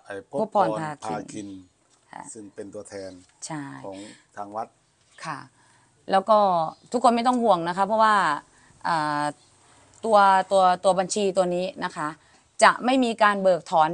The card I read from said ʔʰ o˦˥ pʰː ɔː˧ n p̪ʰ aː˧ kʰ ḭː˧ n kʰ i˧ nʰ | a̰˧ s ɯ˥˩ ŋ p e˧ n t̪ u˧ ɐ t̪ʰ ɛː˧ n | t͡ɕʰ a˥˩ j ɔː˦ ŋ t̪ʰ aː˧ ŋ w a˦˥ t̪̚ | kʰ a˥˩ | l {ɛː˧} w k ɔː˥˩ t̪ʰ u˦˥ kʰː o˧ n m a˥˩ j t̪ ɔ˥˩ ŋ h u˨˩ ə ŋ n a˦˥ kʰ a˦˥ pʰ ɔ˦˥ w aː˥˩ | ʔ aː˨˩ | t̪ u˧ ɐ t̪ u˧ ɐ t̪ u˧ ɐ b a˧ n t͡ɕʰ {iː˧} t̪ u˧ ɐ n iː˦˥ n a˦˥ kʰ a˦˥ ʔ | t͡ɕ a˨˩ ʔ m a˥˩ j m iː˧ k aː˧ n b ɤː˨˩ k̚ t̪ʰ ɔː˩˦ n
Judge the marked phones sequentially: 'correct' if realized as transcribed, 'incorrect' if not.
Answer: incorrect: ɛː˦˥, correct

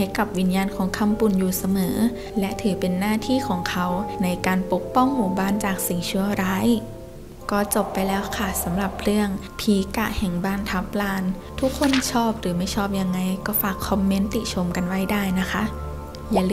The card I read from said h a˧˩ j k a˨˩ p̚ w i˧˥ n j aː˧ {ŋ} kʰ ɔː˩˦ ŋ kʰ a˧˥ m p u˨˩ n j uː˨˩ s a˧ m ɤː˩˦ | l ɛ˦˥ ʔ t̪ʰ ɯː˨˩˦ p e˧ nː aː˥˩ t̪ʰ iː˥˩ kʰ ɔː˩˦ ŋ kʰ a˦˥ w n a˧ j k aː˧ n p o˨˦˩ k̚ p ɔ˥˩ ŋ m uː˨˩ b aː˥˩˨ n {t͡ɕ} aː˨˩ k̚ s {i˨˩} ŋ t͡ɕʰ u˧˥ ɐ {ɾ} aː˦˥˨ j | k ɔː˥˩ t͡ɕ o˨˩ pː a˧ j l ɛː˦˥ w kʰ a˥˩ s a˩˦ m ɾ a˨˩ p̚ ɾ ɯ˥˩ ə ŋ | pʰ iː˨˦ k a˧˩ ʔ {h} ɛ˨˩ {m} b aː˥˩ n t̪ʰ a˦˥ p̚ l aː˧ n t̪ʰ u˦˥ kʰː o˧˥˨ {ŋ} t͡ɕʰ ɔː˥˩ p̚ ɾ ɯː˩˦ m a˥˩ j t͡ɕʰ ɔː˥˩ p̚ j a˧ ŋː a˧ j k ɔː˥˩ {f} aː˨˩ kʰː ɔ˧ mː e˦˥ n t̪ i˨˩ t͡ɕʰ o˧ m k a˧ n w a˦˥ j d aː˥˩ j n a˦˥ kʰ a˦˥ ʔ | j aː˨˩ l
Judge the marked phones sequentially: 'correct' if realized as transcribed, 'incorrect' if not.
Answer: incorrect: n, correct, correct, correct, correct, incorrect: ŋ, incorrect: n, correct

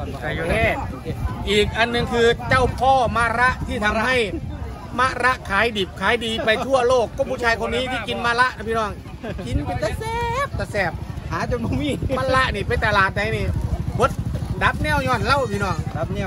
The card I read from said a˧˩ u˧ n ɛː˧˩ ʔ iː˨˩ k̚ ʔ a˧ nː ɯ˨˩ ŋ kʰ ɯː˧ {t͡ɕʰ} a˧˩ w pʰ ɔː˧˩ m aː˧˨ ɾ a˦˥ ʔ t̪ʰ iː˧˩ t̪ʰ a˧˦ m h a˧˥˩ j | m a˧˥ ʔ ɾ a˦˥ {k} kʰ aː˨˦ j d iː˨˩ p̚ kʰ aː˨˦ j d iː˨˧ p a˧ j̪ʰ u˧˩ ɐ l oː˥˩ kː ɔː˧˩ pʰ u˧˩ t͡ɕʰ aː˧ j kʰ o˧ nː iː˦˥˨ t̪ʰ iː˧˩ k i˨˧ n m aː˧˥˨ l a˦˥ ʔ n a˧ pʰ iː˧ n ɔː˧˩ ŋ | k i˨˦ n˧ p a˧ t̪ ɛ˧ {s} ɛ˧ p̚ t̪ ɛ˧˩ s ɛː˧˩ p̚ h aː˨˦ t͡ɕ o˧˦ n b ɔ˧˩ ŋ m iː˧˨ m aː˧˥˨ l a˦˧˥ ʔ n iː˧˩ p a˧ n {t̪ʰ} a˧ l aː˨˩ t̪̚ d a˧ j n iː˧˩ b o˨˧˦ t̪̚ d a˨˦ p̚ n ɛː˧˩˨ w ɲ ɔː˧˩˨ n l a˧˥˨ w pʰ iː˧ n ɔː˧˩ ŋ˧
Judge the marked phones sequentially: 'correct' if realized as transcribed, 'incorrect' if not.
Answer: incorrect: t͡ɕ, incorrect: ʔ, correct, incorrect: t̪

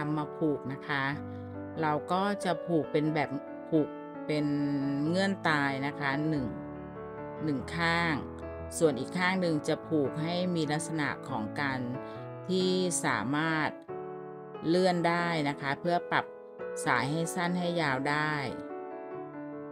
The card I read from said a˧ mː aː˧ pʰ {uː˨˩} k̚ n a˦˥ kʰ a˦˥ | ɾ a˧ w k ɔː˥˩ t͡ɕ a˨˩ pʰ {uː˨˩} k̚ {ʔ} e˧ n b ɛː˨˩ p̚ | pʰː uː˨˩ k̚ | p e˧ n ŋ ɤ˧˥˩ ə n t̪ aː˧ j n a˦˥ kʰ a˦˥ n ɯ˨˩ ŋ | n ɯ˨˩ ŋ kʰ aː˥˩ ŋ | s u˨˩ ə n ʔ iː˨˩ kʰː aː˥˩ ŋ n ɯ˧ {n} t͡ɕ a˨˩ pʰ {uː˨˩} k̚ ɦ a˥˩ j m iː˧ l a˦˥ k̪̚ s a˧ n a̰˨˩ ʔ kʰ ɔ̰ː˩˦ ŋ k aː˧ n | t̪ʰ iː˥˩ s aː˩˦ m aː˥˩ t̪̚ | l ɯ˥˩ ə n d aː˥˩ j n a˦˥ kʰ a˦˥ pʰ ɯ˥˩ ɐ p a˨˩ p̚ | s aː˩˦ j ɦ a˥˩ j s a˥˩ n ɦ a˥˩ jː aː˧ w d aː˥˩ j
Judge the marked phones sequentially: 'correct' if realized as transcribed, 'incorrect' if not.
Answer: correct, correct, incorrect: p, incorrect: ŋ, correct

